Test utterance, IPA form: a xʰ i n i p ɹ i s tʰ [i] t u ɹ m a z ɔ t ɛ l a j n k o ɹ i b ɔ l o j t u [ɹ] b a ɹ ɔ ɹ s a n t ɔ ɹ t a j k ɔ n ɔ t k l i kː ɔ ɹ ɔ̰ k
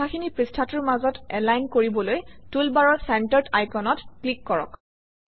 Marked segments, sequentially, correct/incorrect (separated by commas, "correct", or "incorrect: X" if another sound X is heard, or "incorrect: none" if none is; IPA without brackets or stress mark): incorrect: a, incorrect: l